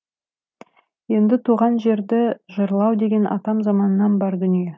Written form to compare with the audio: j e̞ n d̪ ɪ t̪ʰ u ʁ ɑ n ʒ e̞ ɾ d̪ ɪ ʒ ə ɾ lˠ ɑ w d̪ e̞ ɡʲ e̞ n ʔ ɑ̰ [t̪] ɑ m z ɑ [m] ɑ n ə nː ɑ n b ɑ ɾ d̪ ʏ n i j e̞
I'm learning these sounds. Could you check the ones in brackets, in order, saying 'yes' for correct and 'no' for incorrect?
yes, yes

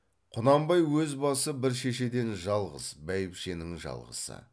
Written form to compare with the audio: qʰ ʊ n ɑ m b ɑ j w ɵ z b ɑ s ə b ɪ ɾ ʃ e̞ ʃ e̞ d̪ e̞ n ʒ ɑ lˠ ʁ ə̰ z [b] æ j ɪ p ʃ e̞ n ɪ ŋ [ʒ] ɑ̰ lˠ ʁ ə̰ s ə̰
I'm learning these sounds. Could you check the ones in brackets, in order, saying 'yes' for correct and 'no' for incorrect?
yes, yes

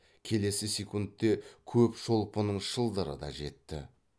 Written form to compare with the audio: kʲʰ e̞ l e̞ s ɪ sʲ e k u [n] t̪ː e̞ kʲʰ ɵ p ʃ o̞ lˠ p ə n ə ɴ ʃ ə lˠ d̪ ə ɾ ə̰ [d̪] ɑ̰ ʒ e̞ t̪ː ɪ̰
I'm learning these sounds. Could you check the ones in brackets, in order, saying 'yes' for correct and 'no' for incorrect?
yes, yes

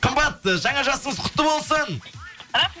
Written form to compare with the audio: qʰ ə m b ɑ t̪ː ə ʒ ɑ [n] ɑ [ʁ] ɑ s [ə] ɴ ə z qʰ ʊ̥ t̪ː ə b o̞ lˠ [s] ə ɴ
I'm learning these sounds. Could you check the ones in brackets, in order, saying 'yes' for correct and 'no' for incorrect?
no, no, yes, yes

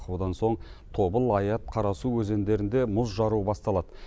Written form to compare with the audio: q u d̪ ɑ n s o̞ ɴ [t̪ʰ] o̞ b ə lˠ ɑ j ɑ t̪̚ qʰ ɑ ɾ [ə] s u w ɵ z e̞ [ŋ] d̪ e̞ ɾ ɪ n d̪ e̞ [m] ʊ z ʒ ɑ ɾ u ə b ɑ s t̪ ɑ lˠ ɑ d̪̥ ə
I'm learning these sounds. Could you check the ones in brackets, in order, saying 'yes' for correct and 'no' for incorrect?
yes, no, no, yes

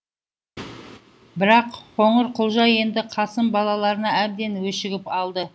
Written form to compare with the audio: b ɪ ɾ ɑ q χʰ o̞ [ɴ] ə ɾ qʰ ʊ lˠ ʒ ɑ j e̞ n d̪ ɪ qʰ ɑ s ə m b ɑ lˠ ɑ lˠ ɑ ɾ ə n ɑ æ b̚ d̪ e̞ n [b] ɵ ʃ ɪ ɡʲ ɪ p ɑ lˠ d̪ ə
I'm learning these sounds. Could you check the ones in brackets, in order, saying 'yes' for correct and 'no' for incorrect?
yes, no

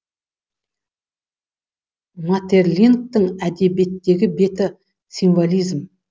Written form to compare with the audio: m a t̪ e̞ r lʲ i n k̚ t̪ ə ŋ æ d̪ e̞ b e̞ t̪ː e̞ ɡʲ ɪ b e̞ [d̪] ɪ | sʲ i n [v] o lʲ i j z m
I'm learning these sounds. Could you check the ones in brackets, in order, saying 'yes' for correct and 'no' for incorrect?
no, yes

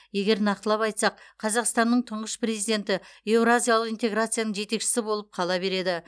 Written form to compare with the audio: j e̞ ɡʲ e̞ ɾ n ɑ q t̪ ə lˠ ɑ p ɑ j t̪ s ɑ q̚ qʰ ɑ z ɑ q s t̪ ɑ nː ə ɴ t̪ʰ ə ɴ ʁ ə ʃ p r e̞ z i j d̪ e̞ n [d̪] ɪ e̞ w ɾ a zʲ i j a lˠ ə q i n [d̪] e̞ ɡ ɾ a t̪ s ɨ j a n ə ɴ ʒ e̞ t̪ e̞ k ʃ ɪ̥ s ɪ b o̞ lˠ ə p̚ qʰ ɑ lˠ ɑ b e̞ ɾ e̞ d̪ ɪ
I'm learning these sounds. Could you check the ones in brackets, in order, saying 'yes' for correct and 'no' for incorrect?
no, no

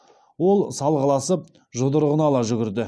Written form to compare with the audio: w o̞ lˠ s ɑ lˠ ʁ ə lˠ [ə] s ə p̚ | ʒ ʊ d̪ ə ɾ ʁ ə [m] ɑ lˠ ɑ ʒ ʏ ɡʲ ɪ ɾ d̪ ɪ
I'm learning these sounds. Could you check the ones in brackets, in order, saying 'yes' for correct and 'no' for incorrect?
no, no

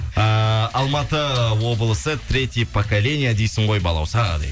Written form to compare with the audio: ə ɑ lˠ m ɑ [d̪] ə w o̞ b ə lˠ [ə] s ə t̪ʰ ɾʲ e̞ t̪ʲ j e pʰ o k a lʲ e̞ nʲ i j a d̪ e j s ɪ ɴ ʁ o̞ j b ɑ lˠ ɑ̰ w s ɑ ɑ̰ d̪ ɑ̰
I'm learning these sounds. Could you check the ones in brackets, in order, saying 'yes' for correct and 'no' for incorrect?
no, yes

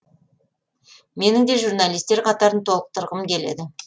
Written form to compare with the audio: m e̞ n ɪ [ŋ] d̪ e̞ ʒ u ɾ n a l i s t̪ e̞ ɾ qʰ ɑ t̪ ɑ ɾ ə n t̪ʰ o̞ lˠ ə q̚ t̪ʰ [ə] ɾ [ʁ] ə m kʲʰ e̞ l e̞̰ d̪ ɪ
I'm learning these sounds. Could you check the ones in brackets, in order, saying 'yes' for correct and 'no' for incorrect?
yes, yes, yes

